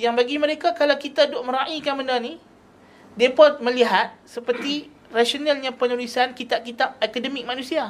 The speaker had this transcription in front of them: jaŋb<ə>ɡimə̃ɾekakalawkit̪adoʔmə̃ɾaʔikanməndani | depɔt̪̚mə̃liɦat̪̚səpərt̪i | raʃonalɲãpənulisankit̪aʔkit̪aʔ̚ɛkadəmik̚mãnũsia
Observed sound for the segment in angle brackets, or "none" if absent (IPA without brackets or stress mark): a